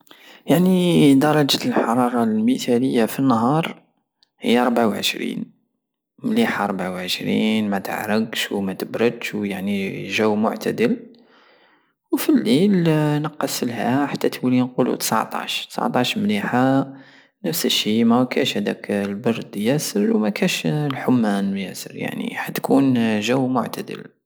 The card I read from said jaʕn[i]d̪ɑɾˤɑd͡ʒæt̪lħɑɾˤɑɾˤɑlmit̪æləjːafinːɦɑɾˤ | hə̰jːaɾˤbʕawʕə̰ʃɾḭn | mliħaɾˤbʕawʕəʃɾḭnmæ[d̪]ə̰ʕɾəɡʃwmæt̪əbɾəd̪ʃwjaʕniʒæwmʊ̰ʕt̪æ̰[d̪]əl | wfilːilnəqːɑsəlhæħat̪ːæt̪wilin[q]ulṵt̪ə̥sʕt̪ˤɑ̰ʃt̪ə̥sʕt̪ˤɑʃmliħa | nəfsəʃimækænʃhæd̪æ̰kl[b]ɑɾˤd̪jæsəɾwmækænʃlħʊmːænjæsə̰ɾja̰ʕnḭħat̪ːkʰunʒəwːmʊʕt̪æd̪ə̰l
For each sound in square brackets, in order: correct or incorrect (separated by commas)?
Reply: correct, incorrect, correct, correct, correct